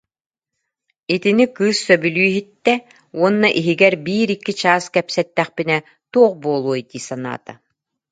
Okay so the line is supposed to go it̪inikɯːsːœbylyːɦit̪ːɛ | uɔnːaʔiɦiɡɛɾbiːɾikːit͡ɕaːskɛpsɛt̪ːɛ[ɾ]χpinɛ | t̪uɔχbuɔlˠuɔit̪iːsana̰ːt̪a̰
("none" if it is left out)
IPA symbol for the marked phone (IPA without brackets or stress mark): none